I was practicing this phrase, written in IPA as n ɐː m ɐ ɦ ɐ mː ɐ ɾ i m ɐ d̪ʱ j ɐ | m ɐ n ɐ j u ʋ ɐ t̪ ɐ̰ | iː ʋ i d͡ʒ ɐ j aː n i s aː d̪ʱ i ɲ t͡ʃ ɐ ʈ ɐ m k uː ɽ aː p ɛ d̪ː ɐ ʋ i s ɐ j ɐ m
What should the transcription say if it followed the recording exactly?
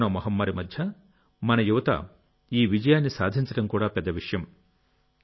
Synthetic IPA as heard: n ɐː m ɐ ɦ ɐ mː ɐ ɾ i m ɐ d̪ʱ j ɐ | m ɐ n ɐ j u ʋ ɐ t̪ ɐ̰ | iː ʋ i d͡ʒ ɐ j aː nː i s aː d̪ʱ i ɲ t͡ʃ ɐ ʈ ɐ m k uː ɽ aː p ɛ d̪ː ɐ ʋ i ʂ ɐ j ɐ m

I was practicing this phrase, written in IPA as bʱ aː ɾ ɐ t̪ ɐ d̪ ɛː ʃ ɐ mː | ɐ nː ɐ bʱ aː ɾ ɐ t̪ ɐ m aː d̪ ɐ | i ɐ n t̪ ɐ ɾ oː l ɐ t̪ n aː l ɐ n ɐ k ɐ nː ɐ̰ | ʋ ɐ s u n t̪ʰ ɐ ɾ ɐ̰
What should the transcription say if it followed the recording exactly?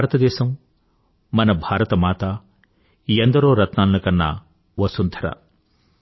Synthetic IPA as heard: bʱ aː ɾ ɐ t̪ ɐ d̪ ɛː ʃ ɐ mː | ɐ n ɐ bʱ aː ɾ ɐ t̪ ɐ m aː t̪ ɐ | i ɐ n d̪ ɐ ɾ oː ɾ ɐ t̪ n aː l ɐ n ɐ k ɐ nː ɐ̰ | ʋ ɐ s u n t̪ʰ ɐ ɾ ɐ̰

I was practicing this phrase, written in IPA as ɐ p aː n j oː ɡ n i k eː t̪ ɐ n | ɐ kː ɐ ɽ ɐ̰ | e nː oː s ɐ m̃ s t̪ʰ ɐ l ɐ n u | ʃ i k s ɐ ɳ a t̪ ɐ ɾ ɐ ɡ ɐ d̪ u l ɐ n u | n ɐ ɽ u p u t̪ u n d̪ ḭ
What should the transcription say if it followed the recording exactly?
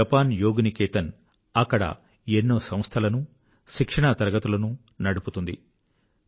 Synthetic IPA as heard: ɐ p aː n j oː ɡ n i k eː t̪ ɐ n | ɐ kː ɐ ɽ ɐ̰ | e nː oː s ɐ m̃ s t̪ʰ ɐ l ɐ n u | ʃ i k ʂ ɐ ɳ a t̪ ɐ ɾ ɐ ɡ ɐ t̪ u l ɐ n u | n ɐ ɽ u p u t̪ u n d̪ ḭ

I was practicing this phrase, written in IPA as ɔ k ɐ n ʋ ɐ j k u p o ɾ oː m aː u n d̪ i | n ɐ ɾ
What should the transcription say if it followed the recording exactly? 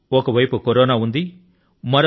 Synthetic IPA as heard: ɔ k ɐ ʋ ɐ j p u k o ɾ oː n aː u n d̪ i | m ɐ ɾ

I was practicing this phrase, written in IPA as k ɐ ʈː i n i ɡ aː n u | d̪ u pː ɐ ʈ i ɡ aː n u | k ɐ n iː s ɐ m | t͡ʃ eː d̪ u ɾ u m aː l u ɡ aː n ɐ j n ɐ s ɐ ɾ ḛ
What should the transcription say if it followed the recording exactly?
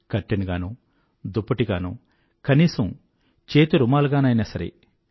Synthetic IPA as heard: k ɐ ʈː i n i ɡ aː n u | d̪ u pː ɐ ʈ i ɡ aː n u | k ɐ n iː s ɐ m | t͡ʃ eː t̪ u ɾ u m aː l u ɡ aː n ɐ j n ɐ s ɐ ɾ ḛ

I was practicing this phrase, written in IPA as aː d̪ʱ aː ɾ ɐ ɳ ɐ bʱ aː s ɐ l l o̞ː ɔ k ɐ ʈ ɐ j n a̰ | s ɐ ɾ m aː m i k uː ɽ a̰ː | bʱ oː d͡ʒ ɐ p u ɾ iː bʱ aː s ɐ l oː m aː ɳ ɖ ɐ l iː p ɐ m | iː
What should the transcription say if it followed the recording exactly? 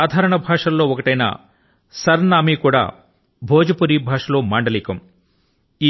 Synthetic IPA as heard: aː d̪ʱ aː ɾ ɐ ɳ ɐ bʱ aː ʂ ɐ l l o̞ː ɔ k ɐ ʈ ɐ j n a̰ | s ɐ ɾ n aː m i k uː ɽ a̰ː | bʱ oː d͡ʒ ɐ p u ɾ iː bʱ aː ʂ ɐ l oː m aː ɳ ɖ ɐ l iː k ɐ m | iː

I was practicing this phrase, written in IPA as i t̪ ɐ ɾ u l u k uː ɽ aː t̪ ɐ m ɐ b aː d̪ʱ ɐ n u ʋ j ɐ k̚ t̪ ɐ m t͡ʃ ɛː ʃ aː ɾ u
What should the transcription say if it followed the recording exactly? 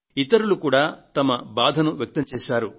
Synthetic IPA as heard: i t̪ ɐ ɾ u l u k uː ɽ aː t̪ ɐ m ɐ b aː d̪ʱ ɐ n u ʋ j ɐ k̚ t̪ ɐ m t͡ʃ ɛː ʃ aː ɾ u

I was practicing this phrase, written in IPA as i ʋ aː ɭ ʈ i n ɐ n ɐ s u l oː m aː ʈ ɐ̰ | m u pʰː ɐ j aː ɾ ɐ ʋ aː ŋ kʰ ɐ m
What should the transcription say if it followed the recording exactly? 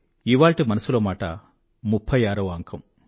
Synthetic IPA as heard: i ʋ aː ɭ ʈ i m ɐ n ɐ s u l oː m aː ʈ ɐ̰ | m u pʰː ɐ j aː ɾ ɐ ʋ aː ŋ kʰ ɐ m

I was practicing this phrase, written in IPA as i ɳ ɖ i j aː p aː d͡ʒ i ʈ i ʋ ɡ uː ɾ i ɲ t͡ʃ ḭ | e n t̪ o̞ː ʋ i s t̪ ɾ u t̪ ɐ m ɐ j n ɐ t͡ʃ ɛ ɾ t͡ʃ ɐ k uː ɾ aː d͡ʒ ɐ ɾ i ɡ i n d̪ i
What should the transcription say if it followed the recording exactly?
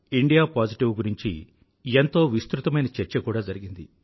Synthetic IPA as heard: i ɳ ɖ i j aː p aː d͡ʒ i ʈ i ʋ ɡ u ɾ i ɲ t͡ʃ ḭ | e n t̪ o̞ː ʋ i s t̪ ɾ u t̪ ɐ m ɐ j n ɐ t͡ʃ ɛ ɾ t͡ʃ ɐ k uː ɽ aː d͡ʒ ɐ ɾ i ɡ i n d̪ i

